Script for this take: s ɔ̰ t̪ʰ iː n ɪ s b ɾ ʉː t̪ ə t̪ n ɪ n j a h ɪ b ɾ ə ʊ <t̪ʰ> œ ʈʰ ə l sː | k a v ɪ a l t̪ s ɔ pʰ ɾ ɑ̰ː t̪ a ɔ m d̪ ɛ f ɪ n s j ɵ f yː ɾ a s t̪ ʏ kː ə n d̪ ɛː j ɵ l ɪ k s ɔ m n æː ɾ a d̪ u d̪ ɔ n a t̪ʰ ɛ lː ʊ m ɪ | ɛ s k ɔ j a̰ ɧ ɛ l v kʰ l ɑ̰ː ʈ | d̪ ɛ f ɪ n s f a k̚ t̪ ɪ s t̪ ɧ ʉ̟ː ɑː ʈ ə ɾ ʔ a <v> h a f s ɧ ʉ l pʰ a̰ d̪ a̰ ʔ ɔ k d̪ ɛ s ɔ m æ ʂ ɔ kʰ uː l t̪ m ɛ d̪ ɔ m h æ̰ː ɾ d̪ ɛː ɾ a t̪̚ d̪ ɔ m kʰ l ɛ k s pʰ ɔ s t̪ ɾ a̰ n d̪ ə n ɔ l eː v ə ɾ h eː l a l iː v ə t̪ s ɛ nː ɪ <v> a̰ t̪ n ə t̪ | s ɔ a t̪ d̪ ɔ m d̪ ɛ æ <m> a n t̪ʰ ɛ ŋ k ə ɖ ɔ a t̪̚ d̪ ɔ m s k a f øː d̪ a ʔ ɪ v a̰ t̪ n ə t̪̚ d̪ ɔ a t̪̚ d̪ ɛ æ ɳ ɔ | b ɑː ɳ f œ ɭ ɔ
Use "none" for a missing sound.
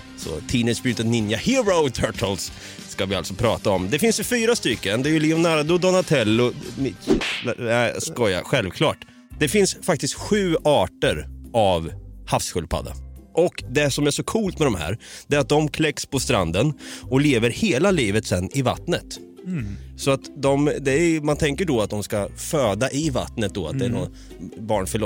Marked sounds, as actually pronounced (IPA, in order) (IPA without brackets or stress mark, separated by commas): t̪ʰ, v, v, m